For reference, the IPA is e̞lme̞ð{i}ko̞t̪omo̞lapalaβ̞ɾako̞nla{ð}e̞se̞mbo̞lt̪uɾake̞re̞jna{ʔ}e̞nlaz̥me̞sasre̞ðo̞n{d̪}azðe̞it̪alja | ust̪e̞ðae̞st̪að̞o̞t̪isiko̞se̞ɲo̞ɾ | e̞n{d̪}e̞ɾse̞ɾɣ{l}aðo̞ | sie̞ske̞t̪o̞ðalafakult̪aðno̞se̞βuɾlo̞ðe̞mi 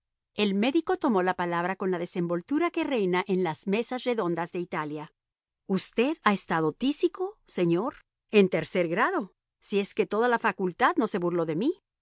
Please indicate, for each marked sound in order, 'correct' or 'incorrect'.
correct, correct, correct, correct, incorrect: t̪, incorrect: ɾ

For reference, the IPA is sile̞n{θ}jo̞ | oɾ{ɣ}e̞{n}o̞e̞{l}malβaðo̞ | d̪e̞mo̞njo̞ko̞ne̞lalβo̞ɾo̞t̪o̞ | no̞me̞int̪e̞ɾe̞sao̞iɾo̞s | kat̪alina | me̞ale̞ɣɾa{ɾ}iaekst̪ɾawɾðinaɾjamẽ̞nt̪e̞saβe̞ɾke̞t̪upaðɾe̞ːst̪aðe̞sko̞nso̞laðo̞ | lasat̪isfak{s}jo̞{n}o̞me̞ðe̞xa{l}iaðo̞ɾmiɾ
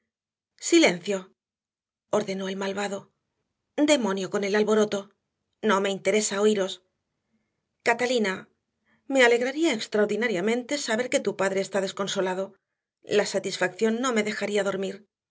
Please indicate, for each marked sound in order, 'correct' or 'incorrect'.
correct, incorrect: ð, correct, correct, correct, incorrect: θ, incorrect: nː, incorrect: ɾ

